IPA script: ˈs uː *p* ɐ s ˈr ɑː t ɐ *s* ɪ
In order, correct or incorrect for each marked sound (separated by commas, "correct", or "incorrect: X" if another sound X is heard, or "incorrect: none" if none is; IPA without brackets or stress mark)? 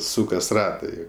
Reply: incorrect: k, incorrect: none